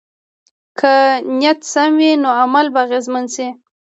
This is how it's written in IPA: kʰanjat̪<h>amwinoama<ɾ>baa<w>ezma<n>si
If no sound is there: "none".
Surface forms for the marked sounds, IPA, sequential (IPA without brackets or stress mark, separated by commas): s, l, ɣ, n